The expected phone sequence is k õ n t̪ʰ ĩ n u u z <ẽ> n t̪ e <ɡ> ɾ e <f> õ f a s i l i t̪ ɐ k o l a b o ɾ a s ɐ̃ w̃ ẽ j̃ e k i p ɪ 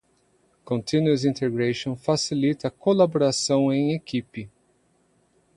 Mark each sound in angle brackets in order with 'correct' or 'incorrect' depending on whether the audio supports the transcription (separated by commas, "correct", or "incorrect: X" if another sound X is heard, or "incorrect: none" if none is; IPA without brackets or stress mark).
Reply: incorrect: ĩ, correct, incorrect: ʃ